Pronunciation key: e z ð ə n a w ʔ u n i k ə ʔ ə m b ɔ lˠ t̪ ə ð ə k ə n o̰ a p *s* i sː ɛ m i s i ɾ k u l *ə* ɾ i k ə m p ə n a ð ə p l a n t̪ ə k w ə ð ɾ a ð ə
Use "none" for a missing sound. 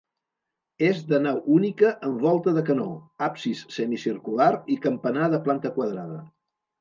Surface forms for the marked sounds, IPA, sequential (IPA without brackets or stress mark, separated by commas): s, a